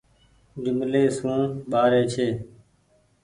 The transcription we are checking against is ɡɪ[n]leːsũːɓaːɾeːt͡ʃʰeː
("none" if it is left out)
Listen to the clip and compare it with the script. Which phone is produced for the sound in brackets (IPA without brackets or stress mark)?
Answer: m